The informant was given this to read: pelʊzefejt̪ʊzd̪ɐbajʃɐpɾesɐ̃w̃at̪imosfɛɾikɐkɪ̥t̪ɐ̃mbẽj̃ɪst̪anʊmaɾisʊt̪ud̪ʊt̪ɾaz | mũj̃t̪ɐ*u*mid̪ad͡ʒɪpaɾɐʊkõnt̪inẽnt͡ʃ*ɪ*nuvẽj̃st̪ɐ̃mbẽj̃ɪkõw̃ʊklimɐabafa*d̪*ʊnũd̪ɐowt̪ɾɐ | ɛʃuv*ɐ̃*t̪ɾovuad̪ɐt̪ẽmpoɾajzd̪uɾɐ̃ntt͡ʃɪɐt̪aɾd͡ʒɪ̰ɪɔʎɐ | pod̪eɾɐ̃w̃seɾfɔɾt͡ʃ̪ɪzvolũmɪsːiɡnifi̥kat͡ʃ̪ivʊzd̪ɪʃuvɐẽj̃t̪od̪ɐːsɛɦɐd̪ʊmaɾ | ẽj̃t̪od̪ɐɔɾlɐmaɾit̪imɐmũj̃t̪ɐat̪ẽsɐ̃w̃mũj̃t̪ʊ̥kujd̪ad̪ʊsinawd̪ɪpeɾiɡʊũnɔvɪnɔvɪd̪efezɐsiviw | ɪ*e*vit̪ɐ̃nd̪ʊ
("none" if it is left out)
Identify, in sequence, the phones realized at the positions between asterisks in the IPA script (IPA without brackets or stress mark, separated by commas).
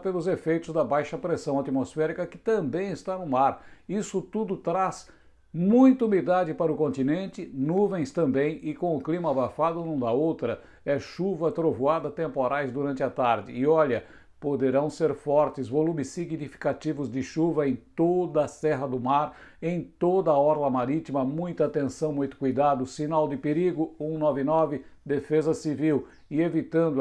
u, ɪ, d̪, ɐ, e